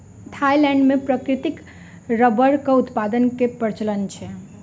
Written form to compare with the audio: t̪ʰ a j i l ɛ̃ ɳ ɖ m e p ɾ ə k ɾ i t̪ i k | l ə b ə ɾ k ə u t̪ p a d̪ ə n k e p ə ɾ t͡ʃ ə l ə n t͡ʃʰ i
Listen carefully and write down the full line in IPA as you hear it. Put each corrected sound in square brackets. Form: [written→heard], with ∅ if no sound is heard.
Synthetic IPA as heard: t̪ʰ a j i l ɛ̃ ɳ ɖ m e p ɾ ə k ɾ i t̪ i k | [l→ɾ] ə b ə ɾ k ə u t̪ p a d̪ ə n k e p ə ɾ t͡ʃ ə l ə n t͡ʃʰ [i→ɛ]